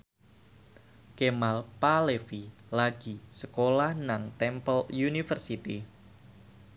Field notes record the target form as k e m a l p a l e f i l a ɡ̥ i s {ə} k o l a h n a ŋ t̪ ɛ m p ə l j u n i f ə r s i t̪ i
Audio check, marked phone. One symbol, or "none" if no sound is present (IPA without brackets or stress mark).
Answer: ə